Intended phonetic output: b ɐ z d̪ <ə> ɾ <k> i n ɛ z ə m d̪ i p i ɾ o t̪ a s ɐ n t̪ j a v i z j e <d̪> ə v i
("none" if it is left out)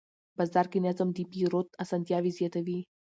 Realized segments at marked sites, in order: a, k, t̪

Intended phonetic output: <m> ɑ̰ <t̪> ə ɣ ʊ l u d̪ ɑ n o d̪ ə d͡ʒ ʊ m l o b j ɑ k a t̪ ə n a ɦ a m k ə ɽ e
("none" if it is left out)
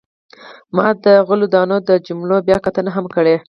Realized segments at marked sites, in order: m, d̪

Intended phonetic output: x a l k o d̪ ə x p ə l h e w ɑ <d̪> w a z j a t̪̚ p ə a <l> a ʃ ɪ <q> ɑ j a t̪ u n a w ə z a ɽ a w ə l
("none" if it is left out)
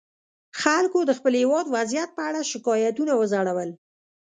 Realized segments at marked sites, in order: d̪, ɽ, k

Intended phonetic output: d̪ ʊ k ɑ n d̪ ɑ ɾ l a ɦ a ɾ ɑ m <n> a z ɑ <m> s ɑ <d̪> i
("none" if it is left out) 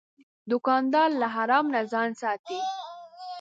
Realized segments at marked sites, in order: n, n, t̪

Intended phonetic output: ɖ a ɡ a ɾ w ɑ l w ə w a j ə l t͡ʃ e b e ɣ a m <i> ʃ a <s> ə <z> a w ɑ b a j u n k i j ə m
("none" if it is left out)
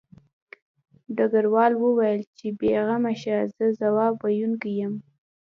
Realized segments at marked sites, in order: a, z, z

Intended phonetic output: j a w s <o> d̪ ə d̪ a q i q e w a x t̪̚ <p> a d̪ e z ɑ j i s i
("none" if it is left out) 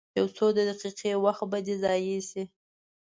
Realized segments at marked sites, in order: o, b

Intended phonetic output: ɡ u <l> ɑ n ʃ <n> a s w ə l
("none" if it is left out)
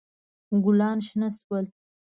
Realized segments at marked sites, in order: l, n

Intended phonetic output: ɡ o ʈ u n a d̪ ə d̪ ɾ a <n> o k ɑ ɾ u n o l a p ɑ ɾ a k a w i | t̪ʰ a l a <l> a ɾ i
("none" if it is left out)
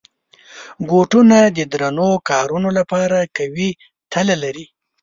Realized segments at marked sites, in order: n, l

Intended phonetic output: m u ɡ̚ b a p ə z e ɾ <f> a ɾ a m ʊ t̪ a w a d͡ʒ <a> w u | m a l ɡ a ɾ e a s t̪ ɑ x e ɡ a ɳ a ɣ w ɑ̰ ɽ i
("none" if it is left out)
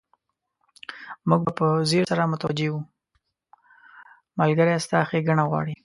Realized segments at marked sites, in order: s, e

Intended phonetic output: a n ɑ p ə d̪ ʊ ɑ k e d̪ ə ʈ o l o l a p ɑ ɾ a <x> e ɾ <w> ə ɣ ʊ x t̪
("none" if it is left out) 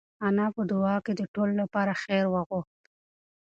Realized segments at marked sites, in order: x, w

